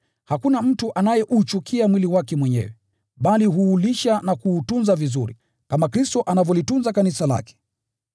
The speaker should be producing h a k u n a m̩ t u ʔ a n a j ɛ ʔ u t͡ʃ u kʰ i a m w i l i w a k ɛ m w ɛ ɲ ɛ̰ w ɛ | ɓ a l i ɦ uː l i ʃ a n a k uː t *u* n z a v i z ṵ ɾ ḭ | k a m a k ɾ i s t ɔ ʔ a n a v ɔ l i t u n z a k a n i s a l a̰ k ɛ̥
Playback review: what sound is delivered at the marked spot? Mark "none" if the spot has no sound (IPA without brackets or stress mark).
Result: u